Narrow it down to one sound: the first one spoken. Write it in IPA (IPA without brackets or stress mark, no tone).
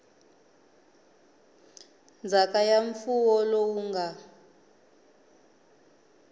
n